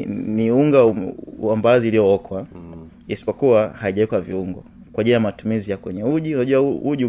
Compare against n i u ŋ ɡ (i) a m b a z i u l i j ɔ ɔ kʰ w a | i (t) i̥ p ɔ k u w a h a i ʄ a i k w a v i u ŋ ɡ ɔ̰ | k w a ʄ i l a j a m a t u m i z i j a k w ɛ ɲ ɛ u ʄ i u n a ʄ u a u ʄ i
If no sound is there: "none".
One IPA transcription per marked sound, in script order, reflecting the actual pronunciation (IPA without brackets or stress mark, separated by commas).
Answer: a, s